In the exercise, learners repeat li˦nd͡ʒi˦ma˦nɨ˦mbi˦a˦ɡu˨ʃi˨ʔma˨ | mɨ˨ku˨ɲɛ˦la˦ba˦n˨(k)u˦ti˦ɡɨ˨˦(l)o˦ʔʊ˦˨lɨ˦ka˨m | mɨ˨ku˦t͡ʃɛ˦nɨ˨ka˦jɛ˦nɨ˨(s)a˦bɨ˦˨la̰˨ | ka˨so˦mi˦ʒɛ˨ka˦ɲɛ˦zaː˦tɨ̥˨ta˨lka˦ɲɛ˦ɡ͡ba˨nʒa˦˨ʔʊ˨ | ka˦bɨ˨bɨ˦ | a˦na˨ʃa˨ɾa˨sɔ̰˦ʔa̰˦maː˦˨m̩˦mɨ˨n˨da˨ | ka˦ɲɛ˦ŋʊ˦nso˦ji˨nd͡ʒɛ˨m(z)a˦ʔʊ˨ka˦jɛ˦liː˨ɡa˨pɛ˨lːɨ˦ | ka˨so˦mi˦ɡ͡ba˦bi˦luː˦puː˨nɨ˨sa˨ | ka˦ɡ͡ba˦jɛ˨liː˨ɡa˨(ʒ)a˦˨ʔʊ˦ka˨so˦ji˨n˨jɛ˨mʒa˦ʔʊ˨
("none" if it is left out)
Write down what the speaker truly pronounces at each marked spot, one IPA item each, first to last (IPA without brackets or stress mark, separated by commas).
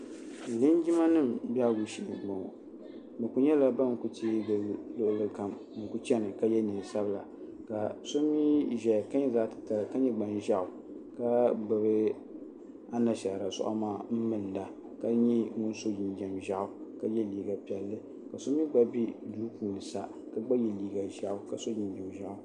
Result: k, l, s, ʒ, ʒ